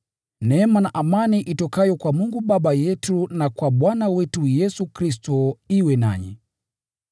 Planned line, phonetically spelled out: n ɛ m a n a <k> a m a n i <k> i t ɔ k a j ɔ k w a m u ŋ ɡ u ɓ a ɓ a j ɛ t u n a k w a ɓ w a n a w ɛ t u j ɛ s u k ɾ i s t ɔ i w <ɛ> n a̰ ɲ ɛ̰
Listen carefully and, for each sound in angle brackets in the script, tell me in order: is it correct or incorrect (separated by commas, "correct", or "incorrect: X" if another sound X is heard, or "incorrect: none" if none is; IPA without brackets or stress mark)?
incorrect: ʔ, incorrect: ʔ, correct